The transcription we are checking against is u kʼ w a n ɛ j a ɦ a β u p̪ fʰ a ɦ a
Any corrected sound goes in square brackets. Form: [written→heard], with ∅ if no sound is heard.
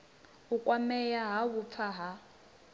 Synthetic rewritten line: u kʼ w a [n→m] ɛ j a ɦ a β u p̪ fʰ a ɦ a